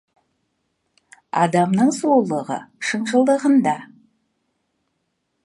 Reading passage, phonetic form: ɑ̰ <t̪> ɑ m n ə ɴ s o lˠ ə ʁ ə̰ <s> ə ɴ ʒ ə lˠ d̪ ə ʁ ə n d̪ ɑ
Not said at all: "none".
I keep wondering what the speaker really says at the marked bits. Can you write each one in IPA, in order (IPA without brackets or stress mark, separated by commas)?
d̪, ʃ